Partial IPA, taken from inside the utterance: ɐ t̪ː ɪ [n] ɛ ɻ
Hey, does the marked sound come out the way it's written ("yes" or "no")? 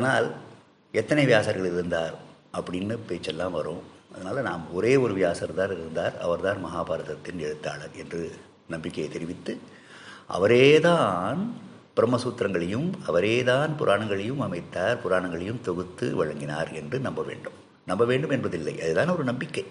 yes